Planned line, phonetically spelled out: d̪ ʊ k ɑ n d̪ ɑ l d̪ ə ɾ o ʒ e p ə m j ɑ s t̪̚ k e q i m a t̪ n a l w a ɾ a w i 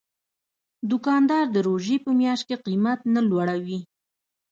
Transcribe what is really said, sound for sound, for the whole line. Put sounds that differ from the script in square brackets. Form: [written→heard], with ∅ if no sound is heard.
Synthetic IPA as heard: d̪ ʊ k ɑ n d̪ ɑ [l→ɾ] d̪ ə ɾ o ʒ e p ə m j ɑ [s→ʃ] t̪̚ k e q i m a t̪ n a l w a [ɾ→ɽ] a w i